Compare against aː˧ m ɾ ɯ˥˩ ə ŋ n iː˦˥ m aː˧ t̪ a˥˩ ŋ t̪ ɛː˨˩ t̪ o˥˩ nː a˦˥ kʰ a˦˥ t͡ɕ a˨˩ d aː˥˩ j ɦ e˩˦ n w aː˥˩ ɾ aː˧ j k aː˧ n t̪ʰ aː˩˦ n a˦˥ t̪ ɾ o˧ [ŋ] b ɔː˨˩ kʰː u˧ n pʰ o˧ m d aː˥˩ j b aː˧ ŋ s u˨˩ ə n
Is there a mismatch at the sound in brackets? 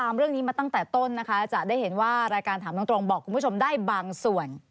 no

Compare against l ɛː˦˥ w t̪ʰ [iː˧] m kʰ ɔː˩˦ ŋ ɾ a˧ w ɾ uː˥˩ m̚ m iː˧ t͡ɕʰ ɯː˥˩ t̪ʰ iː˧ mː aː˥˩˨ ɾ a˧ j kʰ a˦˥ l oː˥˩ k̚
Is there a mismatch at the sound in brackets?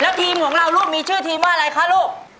no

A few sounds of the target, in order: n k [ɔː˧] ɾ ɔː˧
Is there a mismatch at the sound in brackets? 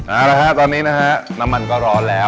yes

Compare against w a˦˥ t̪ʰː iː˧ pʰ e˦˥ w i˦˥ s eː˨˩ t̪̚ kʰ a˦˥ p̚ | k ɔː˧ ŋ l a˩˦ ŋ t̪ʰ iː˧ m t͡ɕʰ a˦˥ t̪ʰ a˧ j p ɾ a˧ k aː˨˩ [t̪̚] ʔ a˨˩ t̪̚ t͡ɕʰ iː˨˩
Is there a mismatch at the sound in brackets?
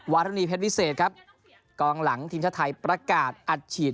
no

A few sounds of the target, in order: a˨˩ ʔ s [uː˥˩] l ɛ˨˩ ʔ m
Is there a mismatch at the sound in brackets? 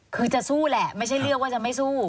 no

